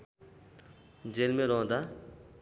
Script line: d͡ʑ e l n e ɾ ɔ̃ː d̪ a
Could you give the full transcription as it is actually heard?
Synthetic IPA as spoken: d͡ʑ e l m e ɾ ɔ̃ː d̪ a